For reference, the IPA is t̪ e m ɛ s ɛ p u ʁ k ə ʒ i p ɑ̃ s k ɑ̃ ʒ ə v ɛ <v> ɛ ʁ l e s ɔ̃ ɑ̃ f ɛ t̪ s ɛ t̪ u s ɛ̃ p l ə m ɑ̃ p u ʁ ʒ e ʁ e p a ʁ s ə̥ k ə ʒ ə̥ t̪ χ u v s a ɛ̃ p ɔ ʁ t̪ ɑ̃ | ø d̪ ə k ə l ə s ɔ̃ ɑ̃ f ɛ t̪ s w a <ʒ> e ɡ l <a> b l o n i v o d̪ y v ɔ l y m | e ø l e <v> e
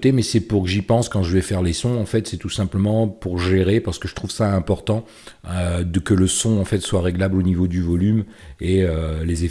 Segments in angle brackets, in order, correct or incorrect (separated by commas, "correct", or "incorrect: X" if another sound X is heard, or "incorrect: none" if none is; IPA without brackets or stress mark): incorrect: f, incorrect: ʁ, correct, incorrect: z